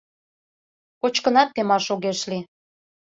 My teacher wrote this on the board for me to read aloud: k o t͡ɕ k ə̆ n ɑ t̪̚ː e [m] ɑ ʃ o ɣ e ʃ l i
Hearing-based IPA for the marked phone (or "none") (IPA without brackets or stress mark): m